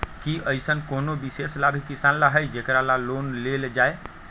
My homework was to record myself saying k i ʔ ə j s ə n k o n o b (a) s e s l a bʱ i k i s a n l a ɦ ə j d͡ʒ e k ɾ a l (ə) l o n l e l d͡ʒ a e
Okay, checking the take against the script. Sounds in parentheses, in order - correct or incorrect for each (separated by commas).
incorrect, incorrect